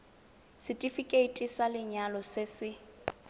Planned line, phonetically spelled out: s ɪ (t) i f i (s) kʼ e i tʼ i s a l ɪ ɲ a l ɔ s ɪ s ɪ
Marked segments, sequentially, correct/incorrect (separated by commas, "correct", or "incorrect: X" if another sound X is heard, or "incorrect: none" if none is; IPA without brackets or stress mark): incorrect: tʼ, incorrect: none